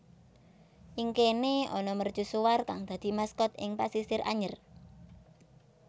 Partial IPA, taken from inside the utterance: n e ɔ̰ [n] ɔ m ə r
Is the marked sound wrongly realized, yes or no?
no